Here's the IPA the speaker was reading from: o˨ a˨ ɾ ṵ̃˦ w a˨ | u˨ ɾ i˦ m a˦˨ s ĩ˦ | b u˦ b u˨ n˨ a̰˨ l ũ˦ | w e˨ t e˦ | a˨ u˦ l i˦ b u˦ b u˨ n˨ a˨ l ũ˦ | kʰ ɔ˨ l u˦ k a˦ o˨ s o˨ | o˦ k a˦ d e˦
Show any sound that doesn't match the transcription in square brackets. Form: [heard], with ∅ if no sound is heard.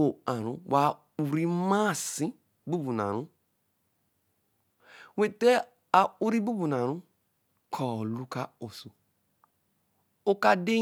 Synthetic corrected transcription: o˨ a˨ ɾ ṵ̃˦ w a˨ | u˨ ɾ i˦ m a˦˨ s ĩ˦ | b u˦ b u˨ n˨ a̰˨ [ɾ] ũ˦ | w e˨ t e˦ | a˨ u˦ [ɾ] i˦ b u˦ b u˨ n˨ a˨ [ɾ] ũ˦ | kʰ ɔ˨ l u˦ k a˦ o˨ s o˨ | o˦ k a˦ d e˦